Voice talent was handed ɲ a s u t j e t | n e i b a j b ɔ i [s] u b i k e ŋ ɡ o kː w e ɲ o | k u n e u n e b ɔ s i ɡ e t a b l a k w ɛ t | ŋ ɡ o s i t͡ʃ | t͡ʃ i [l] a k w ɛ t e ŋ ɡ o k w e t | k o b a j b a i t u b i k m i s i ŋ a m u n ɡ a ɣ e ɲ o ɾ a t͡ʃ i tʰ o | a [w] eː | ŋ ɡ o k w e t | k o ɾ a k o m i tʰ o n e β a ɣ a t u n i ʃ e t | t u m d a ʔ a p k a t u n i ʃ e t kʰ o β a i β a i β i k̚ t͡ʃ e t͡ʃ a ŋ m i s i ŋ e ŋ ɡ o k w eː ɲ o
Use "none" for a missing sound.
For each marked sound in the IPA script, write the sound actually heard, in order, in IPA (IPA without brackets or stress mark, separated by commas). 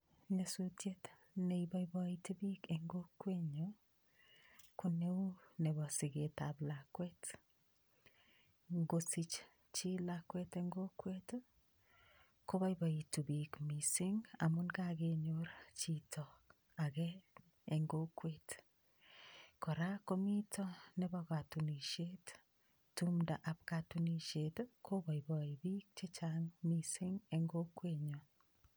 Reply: t, l, ɣ